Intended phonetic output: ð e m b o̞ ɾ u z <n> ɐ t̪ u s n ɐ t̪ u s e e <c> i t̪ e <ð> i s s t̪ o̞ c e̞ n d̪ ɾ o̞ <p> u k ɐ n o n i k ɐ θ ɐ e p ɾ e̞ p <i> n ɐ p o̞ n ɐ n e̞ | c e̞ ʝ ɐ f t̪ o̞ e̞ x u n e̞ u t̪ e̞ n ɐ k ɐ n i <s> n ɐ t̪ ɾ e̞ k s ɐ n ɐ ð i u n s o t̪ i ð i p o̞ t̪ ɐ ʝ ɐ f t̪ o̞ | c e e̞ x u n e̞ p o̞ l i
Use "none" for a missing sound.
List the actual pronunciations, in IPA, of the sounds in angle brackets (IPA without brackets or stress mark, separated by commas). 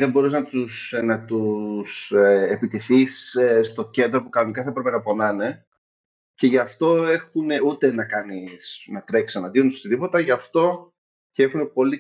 n, p, θ, p, e, s